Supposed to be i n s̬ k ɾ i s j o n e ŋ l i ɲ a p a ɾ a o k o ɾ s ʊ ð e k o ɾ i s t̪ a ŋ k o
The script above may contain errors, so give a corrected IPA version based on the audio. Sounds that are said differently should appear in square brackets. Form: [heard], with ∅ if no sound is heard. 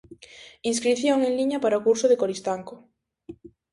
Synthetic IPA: i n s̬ k ɾ i [θ] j o [ŋ] e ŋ l i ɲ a p a ɾ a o k [u] ɾ s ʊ ð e k o ɾ i s t̪ a ŋ k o